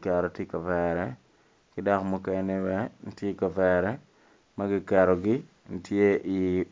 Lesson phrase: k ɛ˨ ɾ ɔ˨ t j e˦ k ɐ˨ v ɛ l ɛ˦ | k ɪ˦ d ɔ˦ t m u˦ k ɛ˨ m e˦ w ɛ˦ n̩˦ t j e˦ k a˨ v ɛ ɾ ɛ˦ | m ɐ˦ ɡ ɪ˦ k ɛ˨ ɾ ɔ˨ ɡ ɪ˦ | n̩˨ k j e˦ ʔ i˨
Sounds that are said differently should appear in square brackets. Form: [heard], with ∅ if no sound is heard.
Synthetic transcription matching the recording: k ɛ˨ ɾ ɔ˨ t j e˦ k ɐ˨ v ɛ [ɾ] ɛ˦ | k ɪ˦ d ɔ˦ [k] m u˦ k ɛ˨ [n] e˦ w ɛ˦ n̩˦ t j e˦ k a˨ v ɛ ɾ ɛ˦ | m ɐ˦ ɡ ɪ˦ k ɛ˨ ɾ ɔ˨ ɡ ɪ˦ | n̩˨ [t] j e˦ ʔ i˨

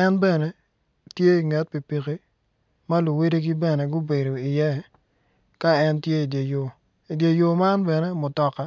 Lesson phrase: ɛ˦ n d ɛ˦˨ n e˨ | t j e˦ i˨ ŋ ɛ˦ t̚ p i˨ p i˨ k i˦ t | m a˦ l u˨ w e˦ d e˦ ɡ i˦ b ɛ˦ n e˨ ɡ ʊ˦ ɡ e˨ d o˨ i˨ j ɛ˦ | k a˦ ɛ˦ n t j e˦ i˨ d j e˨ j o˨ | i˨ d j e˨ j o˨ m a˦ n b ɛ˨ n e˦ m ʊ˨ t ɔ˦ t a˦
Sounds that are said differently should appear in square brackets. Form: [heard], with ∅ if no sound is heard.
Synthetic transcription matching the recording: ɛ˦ n [b] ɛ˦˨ n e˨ | t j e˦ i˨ ŋ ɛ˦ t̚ p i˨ p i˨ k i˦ [∅] | m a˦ l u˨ w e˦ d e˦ ɡ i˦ b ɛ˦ n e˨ ɡ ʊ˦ [b] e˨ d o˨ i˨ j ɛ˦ | k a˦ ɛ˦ n t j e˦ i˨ d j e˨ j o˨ | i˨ d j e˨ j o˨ m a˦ n b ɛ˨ n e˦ m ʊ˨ t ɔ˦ [k] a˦

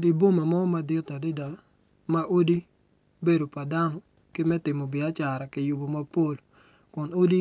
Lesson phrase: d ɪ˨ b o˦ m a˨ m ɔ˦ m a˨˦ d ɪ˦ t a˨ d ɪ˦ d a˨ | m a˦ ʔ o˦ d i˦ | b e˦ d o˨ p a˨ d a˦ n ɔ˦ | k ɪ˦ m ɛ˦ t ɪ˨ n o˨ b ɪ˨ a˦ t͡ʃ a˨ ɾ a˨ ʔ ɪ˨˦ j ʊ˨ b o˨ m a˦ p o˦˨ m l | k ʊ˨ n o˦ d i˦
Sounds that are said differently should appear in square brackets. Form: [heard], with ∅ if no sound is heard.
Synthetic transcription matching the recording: d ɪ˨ b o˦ m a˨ m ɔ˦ m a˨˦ d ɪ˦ t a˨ d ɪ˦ d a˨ | m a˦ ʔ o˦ d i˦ | b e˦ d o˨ p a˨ d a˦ n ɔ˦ | k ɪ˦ m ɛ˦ t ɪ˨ [m] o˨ b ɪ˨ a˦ t͡ʃ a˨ ɾ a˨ [k] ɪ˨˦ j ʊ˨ b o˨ m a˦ p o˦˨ [∅] l | k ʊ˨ n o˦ d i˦

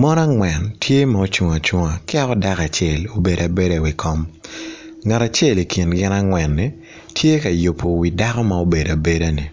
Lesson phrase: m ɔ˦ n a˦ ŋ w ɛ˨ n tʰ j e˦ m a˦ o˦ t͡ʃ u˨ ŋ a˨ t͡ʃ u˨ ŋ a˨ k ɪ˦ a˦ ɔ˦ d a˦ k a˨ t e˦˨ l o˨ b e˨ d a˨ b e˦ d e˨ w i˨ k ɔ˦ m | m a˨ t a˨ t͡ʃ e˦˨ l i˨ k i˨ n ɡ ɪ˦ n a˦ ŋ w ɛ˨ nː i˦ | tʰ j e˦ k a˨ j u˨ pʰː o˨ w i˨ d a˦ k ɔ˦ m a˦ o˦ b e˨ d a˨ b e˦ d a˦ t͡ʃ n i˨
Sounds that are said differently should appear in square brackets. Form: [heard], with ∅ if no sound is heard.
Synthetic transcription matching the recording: m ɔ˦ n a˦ ŋ w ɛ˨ n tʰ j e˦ m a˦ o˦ t͡ʃ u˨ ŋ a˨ t͡ʃ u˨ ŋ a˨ k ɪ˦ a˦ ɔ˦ d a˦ k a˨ [t͡ʃ] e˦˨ l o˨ b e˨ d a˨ b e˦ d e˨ w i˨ k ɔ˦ m | [ŋ] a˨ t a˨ t͡ʃ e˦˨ l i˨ k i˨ n ɡ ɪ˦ n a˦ ŋ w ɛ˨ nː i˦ | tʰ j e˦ k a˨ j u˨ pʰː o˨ w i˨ d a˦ k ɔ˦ m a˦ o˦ b e˨ d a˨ b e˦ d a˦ [∅] n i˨

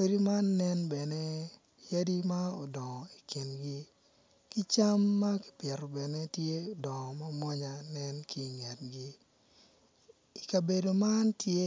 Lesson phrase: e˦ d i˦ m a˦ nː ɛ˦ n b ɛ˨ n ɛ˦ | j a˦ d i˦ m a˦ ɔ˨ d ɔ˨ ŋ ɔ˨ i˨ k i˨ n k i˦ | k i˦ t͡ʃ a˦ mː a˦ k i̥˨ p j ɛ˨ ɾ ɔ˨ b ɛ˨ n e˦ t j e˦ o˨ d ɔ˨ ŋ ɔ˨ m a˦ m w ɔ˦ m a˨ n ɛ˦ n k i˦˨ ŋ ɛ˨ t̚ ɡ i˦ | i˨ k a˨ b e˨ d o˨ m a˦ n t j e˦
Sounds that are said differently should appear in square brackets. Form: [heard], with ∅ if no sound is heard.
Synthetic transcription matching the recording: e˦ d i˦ m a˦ nː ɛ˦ n b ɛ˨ n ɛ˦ | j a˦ d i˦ m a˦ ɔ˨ d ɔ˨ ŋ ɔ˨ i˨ k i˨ n [ɡ] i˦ | k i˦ t͡ʃ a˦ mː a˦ k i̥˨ p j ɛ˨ ɾ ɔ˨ b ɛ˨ n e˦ t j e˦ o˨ d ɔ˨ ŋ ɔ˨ m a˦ m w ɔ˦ [ɲ] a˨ n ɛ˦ n k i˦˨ ŋ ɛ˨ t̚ ɡ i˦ | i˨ k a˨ b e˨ d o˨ m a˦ n t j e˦

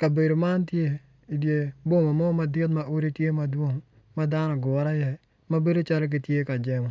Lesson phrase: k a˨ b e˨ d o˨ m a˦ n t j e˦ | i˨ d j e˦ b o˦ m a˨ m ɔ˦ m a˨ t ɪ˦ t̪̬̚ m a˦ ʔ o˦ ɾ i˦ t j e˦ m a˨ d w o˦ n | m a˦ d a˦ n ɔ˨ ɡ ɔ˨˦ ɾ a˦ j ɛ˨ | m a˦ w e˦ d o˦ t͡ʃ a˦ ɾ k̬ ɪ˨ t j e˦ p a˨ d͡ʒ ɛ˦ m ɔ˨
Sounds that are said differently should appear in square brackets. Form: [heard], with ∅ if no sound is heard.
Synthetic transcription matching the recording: k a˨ b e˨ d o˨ m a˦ n t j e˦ | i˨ d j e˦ b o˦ m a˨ m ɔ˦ m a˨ [d] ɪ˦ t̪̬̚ m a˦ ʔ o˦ ɾ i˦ t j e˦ m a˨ d w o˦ [ŋ] | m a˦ d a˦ n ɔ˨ ɡ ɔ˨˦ ɾ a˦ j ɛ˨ | m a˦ [b] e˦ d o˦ t͡ʃ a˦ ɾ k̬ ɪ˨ t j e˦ [k] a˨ d͡ʒ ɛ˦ m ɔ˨

